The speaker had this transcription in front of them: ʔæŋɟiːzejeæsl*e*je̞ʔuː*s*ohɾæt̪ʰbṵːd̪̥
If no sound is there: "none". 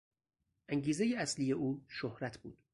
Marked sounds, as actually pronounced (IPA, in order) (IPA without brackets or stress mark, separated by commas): i, ʃ